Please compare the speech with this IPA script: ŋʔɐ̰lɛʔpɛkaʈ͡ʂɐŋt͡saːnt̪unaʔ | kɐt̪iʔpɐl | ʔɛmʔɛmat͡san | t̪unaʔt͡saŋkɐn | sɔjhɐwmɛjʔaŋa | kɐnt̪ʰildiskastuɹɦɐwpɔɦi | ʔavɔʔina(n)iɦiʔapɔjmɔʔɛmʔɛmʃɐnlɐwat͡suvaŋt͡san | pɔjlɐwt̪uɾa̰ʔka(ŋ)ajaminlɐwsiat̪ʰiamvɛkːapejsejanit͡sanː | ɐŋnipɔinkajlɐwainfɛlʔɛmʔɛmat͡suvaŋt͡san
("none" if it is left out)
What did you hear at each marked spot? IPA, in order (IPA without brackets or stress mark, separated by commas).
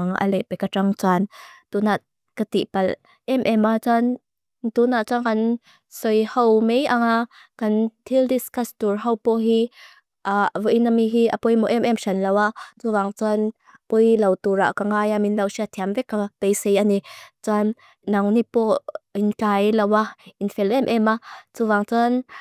m, ŋ